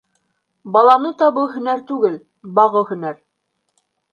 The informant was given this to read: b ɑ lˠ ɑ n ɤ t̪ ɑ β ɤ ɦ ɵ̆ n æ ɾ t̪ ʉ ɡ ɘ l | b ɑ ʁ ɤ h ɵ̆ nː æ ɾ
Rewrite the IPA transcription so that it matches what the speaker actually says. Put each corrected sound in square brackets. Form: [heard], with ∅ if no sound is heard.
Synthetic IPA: b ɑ lˠ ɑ n ɤ t̪ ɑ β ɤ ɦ ɵ̆ n æ ɾ t̪ ʉ ɡ ɘ l | b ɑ ʁ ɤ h ɵ̆ [n] æ ɾ

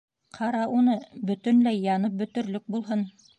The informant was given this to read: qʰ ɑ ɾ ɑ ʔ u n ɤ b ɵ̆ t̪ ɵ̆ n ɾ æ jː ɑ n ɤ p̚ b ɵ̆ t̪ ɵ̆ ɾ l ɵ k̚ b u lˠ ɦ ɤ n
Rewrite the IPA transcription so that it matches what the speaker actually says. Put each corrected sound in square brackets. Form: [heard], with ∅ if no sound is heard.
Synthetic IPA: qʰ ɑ ɾ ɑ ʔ u n ɤ b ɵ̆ t̪ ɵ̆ n [l] æ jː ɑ n ɤ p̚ b ɵ̆ t̪ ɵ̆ ɾ l ɵ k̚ b u lˠ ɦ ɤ n

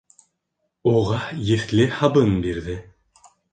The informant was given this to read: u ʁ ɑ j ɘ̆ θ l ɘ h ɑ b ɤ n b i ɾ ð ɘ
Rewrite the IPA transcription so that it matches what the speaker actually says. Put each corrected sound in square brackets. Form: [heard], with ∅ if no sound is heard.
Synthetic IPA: u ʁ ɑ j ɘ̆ θ l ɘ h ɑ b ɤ n b i ɾ ð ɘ

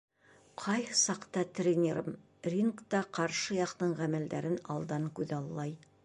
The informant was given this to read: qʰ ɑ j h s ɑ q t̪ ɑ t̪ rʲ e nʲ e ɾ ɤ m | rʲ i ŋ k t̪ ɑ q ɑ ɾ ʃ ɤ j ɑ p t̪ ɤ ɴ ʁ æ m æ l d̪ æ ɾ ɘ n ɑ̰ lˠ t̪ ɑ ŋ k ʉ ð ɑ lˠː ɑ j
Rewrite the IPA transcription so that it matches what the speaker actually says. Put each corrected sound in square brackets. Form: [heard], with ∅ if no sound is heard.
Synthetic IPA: qʰ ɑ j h s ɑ q t̪ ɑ t̪ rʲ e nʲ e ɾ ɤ m | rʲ i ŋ k t̪ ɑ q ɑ ɾ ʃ ɤ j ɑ [q] t̪ ɤ ɴ ʁ æ m æ l d̪ æ ɾ ɘ n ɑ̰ lˠ [d̪] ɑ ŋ k ʉ ð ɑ lˠː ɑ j

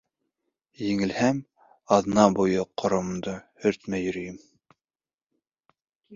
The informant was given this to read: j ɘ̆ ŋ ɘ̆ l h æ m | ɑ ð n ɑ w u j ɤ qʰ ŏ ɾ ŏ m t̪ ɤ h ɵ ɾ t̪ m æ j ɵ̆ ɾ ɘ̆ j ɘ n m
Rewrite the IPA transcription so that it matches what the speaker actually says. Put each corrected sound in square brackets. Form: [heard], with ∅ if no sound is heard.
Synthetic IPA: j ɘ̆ ŋ ɘ̆ l h æ m | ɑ ð n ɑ [b] u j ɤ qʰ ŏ ɾ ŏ m [d̪] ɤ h ɵ ɾ t̪ m æ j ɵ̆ ɾ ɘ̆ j ɘ [∅] m

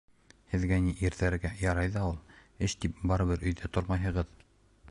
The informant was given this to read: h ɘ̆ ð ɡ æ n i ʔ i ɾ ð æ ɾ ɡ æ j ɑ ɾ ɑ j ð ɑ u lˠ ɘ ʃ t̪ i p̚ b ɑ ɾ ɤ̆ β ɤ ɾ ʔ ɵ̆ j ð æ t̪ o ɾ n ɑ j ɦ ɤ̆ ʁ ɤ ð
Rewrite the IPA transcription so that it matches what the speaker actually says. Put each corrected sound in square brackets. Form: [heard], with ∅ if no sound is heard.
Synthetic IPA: h ɘ̆ ð ɡ æ n i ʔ i ɾ ð æ ɾ ɡ æ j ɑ ɾ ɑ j ð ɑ u lˠ ɘ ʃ t̪ i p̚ b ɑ ɾ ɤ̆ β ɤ ɾ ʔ ɵ̆ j ð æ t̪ o ɾ [m] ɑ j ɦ ɤ̆ ʁ ɤ ð

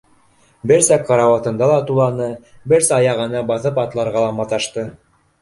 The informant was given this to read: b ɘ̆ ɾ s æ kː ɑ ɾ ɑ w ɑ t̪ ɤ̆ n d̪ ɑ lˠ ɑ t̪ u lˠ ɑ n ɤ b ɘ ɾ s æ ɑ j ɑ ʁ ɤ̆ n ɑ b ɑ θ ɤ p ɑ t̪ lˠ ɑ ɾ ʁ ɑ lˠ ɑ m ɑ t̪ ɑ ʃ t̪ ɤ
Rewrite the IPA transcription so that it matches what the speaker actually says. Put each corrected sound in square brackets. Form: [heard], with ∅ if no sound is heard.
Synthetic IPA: b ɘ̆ ɾ s æ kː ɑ ɾ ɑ w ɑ t̪ ɤ̆ n d̪ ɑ lˠ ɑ t̪ u lˠ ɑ n ɤ b ɘ ɾ s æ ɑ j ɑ ʁ ɤ̆ n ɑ b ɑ θ ɤ p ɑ t̪ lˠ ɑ ɾ ʁ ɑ lˠ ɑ m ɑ t̪ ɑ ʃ t̪ ɤ

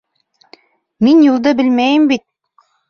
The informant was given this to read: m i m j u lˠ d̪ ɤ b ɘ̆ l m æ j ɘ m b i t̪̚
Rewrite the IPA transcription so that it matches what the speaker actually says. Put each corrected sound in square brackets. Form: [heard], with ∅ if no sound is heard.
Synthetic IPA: m i [n] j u lˠ d̪ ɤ b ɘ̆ l m æ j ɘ m b i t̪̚

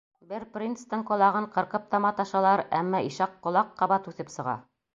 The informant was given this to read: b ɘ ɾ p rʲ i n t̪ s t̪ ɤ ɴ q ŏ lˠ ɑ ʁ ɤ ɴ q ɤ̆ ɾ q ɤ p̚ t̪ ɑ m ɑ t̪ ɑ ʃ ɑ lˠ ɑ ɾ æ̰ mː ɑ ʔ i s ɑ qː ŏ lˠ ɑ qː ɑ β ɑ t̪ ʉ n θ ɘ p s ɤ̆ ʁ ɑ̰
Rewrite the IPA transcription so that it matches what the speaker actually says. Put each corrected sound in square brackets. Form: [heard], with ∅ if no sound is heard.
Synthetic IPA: b ɘ ɾ p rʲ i n t̪ s t̪ ɤ ɴ q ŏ lˠ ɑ ʁ ɤ ɴ q ɤ̆ ɾ q ɤ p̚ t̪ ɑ m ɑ t̪ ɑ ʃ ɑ lˠ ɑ ɾ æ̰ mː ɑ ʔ i [ʃ] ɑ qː ŏ lˠ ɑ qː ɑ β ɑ t̪ ʉ [∅] θ ɘ p s ɤ̆ ʁ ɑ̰

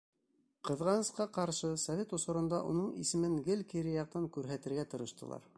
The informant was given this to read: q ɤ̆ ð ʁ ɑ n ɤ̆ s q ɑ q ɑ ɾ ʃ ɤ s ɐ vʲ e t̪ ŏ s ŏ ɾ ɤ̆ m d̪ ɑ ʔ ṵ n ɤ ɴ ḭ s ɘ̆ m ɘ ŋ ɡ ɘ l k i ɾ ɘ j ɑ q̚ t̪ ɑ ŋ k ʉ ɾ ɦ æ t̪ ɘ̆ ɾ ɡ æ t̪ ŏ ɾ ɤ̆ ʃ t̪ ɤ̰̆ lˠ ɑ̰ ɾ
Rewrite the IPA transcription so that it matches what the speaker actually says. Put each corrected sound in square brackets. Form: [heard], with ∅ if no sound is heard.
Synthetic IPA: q ɤ̆ ð ʁ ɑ n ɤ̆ s q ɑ q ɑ ɾ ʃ ɤ s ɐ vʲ e t̪ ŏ s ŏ ɾ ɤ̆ [n] d̪ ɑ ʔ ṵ n ɤ ɴ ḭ s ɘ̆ m ɘ ŋ ɡ ɘ l k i ɾ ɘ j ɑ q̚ t̪ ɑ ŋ k ʉ ɾ ɦ æ t̪ ɘ̆ ɾ ɡ æ t̪ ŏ ɾ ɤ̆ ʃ t̪ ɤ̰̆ lˠ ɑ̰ ɾ

